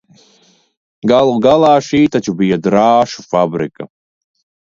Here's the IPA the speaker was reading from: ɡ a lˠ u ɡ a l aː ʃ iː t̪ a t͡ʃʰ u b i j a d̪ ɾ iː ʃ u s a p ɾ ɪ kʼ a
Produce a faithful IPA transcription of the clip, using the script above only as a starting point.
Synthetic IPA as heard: ɡ a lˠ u ɡ a l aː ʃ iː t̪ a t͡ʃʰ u b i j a d̪ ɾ aː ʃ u f a b ɾ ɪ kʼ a